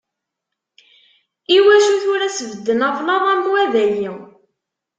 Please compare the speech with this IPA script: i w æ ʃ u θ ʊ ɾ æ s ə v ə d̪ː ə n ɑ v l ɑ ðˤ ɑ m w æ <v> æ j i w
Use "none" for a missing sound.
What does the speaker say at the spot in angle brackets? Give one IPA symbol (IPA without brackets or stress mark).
ð